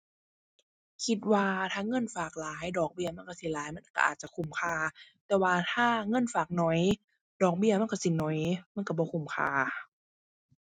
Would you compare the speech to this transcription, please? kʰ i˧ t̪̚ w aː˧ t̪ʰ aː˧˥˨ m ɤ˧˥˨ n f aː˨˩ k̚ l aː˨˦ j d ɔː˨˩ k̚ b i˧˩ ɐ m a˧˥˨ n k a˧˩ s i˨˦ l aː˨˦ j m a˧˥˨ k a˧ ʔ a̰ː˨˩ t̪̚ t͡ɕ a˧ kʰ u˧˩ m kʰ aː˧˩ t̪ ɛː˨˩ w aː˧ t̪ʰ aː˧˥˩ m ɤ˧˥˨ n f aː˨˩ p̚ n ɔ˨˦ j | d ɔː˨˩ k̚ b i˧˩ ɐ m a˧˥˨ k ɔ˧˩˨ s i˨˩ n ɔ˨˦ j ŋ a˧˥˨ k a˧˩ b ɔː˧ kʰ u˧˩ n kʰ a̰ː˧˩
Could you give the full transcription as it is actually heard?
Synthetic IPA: kʰ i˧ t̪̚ w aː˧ t̪ʰ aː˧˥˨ ŋ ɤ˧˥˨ n f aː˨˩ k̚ l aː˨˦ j d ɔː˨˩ k̚ b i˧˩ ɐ m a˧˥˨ n k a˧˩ s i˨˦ l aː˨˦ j m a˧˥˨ k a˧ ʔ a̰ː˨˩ t̪̚ t͡ɕ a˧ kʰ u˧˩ m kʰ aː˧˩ t̪ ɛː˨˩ w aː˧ t̪ʰ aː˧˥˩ ŋ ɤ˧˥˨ n f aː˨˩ k̚ n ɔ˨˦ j | d ɔː˨˩ k̚ b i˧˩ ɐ m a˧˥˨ k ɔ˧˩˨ s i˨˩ n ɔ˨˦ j m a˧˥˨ k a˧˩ b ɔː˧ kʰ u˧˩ m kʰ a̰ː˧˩

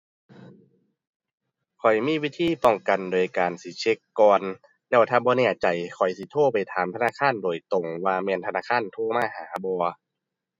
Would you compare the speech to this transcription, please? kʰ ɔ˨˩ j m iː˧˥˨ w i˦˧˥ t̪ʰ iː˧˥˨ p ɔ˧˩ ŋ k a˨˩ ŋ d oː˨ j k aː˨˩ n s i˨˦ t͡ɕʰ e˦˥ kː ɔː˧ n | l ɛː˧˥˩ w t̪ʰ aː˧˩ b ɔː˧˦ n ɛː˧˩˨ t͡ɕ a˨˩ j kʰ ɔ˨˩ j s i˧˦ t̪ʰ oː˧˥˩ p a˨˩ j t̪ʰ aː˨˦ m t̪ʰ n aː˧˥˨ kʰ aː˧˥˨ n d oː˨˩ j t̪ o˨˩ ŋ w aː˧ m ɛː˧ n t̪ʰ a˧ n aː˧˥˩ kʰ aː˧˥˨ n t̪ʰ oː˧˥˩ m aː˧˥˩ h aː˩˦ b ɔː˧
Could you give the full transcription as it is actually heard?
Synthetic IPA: kʰ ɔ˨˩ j m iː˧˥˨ w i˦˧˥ t̪ʰ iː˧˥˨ p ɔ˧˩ ŋ k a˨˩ n d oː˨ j k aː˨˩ n s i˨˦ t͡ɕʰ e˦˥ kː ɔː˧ n | l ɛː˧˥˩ w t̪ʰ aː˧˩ b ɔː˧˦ n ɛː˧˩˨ t͡ɕ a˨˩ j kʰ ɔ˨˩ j s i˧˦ t̪ʰ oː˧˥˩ p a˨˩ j t̪ʰ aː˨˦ m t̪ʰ n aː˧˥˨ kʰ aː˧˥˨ n d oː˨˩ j t̪ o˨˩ ŋ w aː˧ m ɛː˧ n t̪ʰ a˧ n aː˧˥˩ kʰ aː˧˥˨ n t̪ʰ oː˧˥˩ m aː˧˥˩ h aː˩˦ b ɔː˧

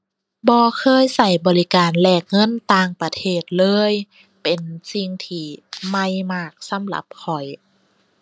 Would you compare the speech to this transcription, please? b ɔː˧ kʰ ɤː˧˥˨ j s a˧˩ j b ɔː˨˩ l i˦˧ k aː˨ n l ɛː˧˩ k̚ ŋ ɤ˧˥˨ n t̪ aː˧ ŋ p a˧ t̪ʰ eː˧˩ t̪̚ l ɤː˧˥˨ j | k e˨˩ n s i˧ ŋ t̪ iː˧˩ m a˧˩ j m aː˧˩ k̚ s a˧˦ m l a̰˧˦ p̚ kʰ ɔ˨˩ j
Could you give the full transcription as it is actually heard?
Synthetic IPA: b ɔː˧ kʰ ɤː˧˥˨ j s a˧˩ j b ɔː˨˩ l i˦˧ k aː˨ n l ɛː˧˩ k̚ ŋ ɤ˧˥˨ n t̪ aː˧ ŋ p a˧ t̪ʰ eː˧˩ t̪̚ l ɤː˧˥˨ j | p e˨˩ n s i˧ ŋ t̪ʰ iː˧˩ m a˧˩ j m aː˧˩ k̚ s a˧˦ m l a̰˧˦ p̚ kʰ ɔ˨˩ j

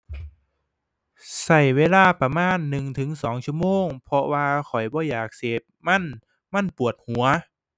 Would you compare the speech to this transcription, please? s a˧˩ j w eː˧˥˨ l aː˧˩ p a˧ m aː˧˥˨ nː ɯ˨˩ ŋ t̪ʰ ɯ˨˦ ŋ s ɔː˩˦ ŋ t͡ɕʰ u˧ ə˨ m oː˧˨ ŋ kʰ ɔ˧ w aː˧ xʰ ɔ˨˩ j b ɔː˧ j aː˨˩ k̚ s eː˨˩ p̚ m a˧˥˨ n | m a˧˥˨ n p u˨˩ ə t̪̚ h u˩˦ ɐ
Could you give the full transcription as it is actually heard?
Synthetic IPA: s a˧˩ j w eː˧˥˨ l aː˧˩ p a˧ m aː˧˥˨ nː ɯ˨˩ ŋ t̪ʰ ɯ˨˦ ŋ s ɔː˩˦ ŋ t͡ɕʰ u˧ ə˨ m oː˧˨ ŋ pʰ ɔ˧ w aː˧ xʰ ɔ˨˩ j b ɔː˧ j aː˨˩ k̚ s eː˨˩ p̚ m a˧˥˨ n | m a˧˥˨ n p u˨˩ ə t̪̚ h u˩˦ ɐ

